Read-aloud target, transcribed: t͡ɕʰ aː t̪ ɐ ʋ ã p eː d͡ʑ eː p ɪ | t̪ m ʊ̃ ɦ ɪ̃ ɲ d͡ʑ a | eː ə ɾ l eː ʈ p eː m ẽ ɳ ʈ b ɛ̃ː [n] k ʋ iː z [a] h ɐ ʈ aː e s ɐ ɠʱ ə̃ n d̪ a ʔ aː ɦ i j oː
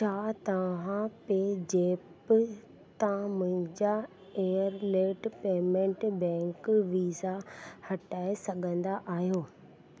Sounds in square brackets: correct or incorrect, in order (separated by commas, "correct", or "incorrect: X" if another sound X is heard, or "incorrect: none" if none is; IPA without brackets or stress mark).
incorrect: ŋ, correct